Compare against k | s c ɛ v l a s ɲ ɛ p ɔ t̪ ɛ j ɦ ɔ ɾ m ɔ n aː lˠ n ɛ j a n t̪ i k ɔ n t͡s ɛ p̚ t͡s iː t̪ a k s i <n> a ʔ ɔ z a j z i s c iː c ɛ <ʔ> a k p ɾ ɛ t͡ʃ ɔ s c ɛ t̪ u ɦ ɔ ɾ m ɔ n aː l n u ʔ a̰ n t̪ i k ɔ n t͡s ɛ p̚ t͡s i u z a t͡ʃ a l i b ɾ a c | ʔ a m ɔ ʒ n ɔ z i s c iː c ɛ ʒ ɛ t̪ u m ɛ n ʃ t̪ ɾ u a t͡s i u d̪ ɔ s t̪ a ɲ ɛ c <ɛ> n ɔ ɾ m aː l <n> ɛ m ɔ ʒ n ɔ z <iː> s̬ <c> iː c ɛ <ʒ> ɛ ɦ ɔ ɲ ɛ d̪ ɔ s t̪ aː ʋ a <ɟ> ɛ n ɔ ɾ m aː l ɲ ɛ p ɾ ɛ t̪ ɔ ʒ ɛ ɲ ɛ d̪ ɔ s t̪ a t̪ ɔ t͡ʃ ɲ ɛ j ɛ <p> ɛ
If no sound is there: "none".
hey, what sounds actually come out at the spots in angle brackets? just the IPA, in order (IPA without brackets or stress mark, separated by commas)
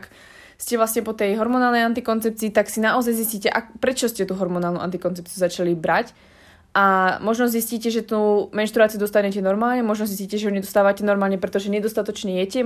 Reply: n, ʔ, ɛ, ɲ, i, c, ʒ, c, c